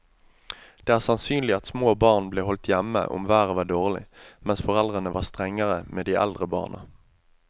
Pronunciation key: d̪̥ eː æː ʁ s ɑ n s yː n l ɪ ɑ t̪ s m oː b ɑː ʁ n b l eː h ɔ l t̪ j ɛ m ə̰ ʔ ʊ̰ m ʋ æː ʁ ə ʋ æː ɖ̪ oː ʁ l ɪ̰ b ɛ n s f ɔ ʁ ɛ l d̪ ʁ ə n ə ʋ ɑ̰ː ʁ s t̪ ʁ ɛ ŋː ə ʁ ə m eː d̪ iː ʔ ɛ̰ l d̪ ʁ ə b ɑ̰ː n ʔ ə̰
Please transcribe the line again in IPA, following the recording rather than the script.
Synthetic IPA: d̪̥ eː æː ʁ s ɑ n s yː n l ɪ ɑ t̪ s m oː b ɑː ʁ n b l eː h ɔ l t̪ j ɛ m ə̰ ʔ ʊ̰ m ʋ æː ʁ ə ʋ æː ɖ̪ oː ʁ l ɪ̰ m ɛ n s f ɔ ʁ ɛ l d̪ ʁ ə n ə ʋ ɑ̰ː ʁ s t̪ ʁ ɛ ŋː ə ʁ ə m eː d̪ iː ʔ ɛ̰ l d̪ ʁ ə b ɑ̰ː n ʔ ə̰